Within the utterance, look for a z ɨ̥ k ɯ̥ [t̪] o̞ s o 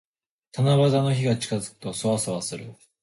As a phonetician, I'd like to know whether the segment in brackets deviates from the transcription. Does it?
no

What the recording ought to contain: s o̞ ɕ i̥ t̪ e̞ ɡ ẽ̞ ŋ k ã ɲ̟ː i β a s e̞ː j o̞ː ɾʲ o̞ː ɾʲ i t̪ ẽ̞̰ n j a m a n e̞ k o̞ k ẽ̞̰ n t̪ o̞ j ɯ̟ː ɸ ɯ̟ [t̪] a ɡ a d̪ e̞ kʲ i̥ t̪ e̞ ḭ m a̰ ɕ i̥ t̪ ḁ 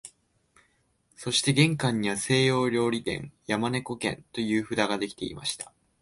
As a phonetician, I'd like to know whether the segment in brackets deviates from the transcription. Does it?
yes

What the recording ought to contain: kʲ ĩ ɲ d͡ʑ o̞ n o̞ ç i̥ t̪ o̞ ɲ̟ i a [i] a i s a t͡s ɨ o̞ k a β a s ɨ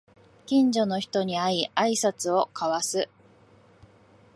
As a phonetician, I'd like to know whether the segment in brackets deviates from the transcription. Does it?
no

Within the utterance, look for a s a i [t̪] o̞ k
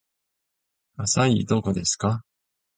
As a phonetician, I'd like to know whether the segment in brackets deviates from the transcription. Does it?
yes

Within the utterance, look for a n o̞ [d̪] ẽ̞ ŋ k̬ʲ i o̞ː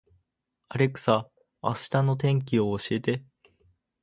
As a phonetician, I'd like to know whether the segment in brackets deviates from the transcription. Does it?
yes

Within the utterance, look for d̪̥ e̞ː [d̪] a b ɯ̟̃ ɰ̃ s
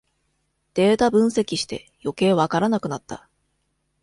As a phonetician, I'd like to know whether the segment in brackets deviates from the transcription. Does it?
yes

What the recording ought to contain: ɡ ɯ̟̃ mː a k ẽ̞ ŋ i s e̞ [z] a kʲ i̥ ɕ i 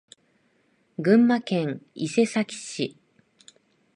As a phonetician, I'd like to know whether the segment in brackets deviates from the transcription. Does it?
yes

